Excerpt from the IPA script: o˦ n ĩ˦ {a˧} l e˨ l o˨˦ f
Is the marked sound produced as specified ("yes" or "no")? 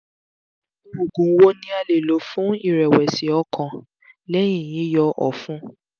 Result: yes